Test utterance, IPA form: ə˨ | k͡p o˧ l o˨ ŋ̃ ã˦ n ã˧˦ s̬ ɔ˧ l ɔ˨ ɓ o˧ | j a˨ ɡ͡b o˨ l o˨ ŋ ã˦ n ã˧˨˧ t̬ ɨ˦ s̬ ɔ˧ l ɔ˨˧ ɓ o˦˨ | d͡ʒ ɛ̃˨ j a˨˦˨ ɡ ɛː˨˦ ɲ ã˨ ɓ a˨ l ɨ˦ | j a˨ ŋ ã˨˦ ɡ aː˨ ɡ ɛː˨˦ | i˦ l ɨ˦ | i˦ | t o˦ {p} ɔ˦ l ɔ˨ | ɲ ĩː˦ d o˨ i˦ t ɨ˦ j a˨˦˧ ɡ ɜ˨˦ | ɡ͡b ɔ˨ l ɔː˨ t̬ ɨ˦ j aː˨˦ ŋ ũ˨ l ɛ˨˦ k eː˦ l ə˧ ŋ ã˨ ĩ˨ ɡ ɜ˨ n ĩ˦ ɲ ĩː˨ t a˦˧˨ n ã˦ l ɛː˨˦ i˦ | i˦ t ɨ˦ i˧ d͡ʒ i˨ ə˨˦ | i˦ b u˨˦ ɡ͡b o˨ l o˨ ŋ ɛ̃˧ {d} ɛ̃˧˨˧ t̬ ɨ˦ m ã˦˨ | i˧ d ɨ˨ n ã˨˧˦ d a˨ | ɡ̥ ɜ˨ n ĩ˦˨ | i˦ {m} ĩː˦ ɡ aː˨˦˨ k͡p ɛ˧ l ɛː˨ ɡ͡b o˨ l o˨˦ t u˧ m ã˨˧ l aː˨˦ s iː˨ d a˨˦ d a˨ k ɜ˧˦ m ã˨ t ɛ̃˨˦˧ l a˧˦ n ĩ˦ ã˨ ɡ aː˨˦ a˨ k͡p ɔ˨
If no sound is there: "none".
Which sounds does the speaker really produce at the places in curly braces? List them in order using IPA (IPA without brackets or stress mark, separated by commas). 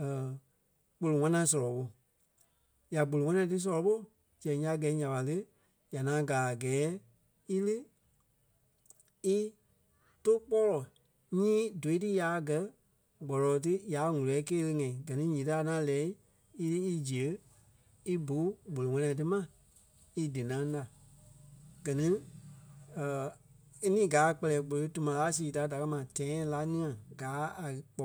k͡p, n, n